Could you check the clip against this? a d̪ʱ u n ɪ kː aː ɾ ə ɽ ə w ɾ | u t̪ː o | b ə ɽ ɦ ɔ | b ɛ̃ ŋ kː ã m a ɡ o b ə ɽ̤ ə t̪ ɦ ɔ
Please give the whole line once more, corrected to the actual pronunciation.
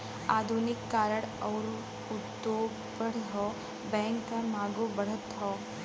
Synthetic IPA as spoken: a d̪ʱ u n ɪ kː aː ɾ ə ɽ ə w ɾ | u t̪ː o | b ə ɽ ɦ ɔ | b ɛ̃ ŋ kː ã m a ɡ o b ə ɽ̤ ə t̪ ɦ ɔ